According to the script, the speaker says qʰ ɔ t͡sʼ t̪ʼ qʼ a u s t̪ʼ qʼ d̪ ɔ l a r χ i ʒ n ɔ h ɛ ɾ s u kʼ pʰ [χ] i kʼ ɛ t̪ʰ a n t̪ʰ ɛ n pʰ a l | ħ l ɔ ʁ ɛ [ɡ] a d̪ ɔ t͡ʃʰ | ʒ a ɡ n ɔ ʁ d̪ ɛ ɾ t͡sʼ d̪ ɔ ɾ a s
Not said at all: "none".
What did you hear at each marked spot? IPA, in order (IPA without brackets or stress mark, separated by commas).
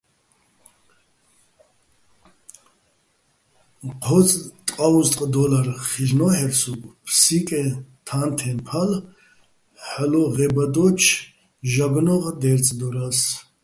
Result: s, b